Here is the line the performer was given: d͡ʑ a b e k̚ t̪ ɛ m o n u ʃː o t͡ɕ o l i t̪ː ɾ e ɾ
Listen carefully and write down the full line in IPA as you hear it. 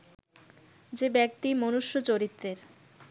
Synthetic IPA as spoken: d͡ʑ e b ɛ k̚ t̪ i m o n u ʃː o t͡ɕ o ɾ i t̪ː ɾ e ɾ